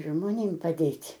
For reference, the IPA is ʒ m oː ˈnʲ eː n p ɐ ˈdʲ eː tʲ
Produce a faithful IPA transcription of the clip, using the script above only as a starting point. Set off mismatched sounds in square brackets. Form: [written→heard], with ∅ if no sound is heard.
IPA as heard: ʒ m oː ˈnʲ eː [n→m] p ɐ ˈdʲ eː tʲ